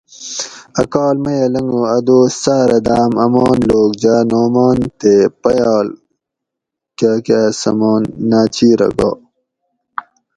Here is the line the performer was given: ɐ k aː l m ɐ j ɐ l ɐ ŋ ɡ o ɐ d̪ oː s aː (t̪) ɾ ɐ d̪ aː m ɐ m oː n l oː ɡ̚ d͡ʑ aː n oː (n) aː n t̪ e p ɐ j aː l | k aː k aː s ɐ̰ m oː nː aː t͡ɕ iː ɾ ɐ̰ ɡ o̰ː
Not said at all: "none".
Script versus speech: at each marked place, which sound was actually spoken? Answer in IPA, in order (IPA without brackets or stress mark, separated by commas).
none, m